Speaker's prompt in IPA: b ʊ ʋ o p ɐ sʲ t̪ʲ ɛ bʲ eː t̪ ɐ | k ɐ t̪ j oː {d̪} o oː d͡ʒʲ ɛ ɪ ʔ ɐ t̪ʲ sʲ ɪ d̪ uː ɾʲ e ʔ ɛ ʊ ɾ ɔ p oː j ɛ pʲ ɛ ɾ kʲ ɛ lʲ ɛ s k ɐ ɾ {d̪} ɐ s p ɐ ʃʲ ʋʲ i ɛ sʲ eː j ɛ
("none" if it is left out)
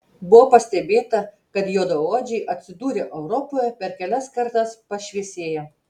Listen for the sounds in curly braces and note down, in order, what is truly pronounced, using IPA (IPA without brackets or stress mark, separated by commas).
d̪, t̪